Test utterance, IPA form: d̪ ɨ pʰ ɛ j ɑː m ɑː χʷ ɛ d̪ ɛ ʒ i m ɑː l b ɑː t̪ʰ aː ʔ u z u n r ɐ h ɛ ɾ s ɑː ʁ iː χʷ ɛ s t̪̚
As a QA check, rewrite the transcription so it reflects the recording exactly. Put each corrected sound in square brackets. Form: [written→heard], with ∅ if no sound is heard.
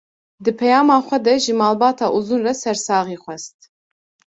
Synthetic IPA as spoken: d̪ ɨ pʰ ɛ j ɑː m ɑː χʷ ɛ d̪ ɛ ʒ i m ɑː l b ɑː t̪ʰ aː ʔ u z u n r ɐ [h→s] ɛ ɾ s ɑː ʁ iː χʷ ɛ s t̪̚

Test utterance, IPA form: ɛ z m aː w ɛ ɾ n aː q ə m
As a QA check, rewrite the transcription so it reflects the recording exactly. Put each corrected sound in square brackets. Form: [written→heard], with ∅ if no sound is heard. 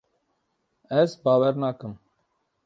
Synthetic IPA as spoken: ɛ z [m→b] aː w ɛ ɾ n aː [q→k] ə m

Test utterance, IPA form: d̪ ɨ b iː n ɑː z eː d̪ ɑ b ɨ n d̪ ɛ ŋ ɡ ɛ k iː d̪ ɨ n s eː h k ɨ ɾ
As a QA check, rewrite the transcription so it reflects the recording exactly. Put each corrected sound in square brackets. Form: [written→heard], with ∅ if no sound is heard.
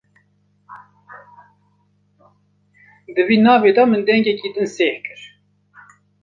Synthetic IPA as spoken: d̪ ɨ [b→v] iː n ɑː [z→v] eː d̪ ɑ [b→m] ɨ n d̪ ɛ ŋ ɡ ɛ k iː d̪ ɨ n s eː h k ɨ ɾ

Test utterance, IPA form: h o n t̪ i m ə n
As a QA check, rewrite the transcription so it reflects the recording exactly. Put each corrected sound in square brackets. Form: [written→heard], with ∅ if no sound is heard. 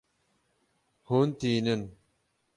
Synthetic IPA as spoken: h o n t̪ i [m→n] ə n

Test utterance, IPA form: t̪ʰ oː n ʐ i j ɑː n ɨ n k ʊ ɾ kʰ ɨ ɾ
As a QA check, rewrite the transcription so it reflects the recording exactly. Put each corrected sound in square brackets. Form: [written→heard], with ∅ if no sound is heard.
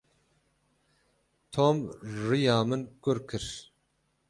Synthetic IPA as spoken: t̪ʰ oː [n→m] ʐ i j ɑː [n→m] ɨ n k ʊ ɾ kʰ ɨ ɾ

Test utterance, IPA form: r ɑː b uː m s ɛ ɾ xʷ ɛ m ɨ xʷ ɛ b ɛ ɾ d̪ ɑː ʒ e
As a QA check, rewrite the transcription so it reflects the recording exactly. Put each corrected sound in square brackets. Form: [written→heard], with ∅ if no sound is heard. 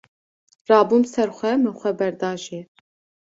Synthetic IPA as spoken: r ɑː b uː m s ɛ ɾ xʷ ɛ m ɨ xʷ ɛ b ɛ ɾ d̪ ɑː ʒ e

